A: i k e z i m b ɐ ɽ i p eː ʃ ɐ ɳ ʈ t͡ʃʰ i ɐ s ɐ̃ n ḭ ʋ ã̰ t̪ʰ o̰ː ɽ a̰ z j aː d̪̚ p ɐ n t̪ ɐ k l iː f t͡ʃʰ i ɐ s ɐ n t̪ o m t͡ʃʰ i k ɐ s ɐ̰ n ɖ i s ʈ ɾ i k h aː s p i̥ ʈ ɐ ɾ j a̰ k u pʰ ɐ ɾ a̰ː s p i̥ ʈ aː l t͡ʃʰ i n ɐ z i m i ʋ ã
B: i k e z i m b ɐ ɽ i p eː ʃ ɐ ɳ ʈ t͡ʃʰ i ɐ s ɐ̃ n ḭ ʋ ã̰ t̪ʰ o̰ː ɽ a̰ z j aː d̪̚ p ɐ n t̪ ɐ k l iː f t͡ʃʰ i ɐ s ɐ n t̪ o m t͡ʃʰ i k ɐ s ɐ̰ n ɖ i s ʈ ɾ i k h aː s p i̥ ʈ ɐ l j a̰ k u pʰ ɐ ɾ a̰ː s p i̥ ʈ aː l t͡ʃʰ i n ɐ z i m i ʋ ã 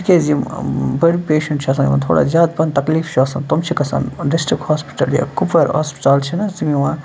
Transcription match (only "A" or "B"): B